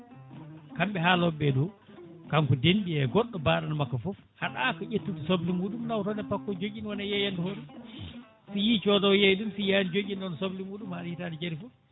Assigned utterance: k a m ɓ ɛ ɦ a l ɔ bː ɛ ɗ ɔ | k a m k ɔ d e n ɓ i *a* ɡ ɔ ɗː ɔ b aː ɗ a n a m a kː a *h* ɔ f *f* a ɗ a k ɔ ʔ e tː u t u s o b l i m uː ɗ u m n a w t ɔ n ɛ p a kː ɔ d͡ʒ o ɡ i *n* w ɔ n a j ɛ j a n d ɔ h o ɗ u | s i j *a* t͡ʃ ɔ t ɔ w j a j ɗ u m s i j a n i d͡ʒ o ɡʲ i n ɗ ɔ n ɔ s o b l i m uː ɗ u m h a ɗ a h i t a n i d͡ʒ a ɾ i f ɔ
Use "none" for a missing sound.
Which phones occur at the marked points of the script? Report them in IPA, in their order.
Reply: ɛ, f, h, n, i

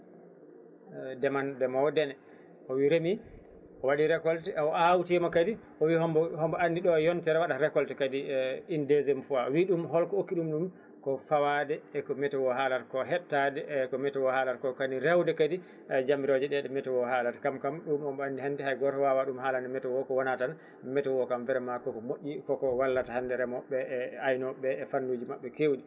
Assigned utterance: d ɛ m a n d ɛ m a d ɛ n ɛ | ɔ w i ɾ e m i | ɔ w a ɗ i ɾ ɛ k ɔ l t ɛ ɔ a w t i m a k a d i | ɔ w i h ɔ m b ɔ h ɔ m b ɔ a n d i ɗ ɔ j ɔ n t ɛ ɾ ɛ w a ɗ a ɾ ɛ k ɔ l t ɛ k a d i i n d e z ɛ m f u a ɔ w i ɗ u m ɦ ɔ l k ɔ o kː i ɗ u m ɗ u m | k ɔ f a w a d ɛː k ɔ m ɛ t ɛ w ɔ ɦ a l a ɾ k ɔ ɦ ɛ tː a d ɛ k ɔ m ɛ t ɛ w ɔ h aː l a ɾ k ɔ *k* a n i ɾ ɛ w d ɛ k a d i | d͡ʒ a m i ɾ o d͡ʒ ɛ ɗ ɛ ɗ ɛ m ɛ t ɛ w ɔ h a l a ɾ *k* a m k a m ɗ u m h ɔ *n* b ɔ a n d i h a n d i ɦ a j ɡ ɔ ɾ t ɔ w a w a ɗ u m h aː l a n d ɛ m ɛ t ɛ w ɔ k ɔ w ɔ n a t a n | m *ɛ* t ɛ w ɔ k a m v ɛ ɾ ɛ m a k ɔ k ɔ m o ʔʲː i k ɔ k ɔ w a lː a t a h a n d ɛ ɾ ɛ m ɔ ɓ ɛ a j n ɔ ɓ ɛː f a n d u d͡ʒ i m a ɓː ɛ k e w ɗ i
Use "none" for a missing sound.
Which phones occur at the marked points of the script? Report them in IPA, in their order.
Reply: k, k, m, ɛ

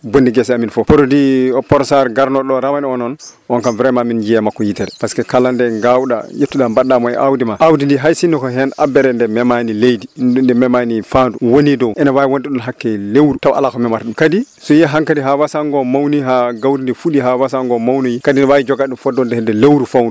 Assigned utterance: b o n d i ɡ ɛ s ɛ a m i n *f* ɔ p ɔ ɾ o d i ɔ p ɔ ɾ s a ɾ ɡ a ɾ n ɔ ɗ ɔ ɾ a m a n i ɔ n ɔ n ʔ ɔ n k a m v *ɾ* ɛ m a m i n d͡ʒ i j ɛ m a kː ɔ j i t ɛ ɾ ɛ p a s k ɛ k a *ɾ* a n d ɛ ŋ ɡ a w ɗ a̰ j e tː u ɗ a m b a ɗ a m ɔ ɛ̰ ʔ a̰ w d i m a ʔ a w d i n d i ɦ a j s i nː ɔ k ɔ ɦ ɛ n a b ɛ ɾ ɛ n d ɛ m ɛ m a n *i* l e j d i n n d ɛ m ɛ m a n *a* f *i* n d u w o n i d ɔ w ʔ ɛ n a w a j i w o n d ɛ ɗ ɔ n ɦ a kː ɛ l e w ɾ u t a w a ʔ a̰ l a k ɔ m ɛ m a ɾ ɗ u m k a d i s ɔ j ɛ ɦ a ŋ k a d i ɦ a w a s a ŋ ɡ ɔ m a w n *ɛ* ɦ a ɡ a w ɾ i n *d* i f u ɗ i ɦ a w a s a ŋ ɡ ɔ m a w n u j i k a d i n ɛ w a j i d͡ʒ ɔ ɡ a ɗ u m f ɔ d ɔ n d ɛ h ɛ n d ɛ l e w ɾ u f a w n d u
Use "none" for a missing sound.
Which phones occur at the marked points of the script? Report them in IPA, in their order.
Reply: f, ɾ, l, i, i, a, i, d

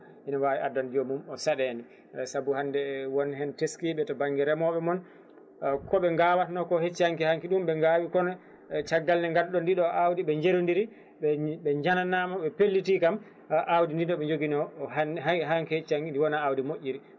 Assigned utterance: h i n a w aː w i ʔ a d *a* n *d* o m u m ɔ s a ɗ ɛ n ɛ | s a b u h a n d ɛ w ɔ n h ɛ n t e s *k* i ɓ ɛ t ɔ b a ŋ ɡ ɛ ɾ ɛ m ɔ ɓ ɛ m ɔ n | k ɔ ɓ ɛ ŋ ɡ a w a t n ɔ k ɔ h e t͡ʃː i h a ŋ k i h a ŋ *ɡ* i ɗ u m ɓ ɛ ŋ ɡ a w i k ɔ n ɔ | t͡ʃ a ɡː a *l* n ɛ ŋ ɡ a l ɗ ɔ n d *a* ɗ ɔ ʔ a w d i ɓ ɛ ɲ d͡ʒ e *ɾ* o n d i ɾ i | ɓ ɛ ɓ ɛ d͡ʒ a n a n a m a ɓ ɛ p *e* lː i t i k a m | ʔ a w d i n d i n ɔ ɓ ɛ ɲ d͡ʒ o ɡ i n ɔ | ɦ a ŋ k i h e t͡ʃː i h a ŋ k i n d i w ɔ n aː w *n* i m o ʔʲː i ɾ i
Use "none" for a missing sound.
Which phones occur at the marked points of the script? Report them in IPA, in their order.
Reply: a, d͡ʒ, k, k, l, i, ɾ, e, d

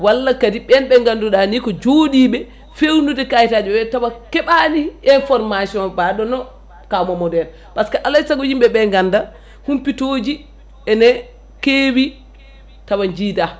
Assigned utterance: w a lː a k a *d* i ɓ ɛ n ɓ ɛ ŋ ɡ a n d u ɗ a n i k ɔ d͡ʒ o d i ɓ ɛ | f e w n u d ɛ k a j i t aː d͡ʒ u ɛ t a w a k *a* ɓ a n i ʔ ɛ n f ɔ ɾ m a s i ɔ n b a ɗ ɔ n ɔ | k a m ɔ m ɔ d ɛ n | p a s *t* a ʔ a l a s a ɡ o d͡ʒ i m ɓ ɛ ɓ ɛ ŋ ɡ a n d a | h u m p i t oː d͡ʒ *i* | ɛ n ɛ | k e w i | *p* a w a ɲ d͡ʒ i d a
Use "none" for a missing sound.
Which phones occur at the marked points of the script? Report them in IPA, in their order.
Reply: d, ɛ, k, i, t

